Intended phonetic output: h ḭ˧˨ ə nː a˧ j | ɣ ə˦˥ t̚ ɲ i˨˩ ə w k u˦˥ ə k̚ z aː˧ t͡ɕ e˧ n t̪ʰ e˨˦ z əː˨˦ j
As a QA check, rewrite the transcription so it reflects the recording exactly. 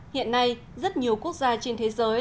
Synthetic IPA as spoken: h ḭ˧˨ ə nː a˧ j | z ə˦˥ t̚ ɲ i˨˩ ə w k u˦˥ ə k̚ z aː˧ t͡ɕ e˧ n t̪ʰ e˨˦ z əː˨˦ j